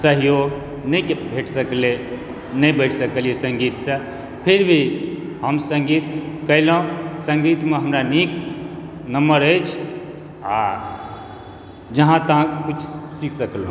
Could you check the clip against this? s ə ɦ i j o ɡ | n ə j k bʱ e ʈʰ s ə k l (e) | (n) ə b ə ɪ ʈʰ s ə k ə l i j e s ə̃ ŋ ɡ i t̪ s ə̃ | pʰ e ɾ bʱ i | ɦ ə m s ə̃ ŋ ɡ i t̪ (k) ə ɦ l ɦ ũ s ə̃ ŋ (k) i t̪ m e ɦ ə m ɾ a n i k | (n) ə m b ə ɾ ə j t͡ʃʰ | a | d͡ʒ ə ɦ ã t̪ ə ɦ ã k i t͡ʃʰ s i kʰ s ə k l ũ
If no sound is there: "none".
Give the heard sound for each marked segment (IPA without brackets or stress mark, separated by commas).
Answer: e, n, k, ɡ, n